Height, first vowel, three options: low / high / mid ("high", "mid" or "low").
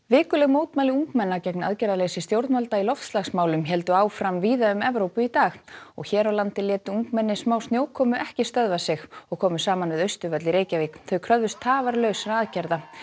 high